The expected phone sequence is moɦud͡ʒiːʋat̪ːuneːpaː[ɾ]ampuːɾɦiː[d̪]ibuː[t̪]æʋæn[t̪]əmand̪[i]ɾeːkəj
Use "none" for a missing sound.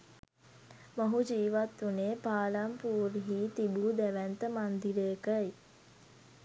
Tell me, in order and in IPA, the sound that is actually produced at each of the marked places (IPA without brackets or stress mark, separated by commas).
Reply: l, t̪, d̪, t̪, i